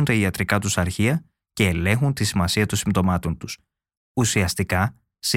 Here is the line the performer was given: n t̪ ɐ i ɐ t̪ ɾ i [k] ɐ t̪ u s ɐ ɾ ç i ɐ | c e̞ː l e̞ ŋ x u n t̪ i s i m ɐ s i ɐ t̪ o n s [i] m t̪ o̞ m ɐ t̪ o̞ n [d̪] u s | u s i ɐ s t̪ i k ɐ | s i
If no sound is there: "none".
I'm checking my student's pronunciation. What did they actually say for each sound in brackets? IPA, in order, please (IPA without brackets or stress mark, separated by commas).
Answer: k, i, t̪